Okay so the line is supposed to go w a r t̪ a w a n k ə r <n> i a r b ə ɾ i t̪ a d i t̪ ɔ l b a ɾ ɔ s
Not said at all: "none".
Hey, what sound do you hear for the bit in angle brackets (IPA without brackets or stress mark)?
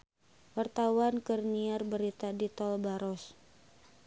n